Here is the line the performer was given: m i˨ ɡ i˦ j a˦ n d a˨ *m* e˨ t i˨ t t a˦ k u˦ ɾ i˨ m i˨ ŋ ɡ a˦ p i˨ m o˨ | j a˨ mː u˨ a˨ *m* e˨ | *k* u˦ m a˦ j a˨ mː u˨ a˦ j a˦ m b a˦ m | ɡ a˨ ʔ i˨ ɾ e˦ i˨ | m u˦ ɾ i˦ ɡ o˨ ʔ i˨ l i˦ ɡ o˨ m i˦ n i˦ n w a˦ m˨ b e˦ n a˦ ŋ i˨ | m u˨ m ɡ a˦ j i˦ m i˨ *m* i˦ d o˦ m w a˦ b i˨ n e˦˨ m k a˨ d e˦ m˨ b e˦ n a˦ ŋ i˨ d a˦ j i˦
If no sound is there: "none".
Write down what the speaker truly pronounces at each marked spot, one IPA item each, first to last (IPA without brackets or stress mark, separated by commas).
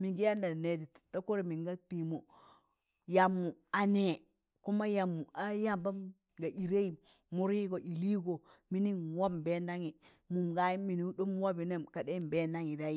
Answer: n, n, k, n